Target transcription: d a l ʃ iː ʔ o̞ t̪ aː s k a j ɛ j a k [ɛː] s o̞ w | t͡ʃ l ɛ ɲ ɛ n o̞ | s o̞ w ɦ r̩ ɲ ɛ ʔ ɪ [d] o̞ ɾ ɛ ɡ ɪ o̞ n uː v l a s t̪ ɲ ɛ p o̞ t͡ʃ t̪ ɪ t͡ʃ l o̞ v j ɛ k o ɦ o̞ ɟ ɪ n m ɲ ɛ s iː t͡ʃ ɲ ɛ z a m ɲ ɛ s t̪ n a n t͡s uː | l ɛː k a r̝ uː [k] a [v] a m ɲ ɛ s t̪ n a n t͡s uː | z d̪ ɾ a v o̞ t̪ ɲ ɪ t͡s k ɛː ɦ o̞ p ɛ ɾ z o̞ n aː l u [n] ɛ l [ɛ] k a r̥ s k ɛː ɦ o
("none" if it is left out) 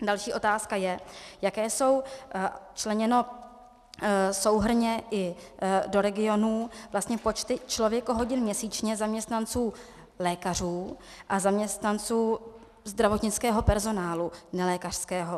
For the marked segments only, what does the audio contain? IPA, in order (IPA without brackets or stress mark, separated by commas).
ɛː, d, ʔ, z, n, ɛː